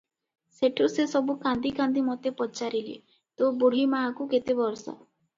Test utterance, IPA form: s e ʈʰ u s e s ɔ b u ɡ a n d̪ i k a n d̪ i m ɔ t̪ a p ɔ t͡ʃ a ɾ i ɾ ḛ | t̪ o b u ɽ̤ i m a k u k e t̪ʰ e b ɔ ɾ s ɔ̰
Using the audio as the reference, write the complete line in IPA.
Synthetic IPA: s e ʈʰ u s e s ɔ b u k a n d̪ i k a n d̪ i m ɔ t̪ e p ɔ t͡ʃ a ɾ i l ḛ | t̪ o b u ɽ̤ i m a k u k e t̪ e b ɔ ɾ s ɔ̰